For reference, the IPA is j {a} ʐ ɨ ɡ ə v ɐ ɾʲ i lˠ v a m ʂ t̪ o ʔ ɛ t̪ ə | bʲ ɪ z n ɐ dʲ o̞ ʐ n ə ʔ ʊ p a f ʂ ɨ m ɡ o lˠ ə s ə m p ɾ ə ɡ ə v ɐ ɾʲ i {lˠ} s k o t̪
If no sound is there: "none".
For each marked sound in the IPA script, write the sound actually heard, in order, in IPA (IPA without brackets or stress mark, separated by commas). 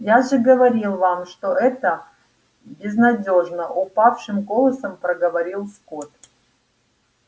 a, lˠ